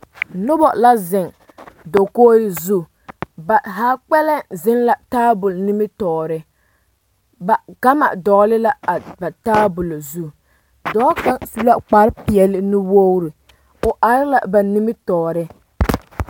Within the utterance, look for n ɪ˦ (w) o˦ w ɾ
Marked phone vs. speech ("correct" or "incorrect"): correct